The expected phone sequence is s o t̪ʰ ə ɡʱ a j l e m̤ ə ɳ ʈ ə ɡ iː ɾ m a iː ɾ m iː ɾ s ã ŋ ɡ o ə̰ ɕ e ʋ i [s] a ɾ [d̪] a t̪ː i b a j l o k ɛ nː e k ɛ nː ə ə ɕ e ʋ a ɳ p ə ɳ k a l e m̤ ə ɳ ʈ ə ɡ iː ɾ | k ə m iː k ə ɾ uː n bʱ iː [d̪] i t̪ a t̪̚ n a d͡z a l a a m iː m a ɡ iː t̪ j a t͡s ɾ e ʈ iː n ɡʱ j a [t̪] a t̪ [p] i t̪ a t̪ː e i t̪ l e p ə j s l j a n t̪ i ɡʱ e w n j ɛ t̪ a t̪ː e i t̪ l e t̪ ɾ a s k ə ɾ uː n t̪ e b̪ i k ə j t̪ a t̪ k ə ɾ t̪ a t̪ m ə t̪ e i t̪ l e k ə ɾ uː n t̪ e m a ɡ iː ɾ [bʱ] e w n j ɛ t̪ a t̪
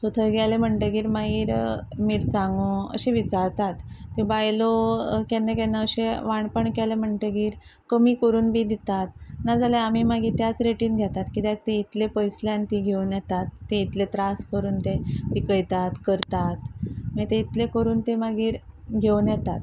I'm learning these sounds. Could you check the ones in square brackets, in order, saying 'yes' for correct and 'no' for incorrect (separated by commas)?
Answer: no, no, yes, yes, no, no